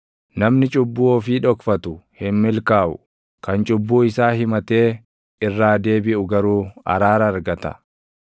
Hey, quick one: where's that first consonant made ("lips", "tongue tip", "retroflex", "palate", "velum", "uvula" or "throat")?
tongue tip